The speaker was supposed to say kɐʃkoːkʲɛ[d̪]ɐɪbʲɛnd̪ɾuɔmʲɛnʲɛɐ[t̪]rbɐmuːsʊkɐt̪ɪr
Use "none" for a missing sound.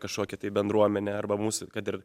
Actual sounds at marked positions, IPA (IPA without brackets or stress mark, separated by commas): t̪, none